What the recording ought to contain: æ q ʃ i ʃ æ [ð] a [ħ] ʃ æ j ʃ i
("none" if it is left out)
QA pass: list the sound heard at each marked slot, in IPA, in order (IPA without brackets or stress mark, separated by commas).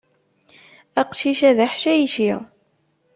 ð, ħ